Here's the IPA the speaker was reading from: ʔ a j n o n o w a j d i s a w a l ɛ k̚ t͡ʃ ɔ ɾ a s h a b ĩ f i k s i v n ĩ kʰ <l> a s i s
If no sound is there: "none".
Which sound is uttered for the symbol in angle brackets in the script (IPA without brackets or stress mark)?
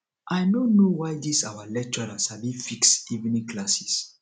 l